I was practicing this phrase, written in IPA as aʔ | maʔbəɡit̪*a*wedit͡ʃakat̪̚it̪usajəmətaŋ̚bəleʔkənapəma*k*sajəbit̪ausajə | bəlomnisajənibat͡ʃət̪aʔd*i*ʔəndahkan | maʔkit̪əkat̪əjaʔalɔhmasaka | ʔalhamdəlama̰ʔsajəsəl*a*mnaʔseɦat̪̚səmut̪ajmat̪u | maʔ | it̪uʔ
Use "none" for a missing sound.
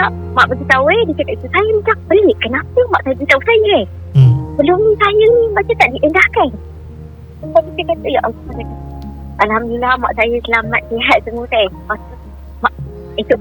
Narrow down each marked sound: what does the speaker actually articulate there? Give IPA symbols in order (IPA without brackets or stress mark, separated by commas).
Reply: a, ʔ, i, a